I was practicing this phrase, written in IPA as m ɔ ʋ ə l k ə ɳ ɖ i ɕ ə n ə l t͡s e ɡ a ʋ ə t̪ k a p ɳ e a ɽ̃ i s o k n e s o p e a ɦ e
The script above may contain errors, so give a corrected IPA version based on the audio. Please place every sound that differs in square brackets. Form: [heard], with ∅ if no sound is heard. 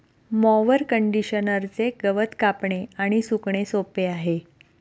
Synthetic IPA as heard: m ɔ ʋ ə [ɾ] k ə ɳ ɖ i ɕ ə n ə [ɾ] t͡s e ɡ [ə] ʋ ə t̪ k a p ɳ e a ɽ̃ i s [u] k [ɳ] e s o p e a ɦ e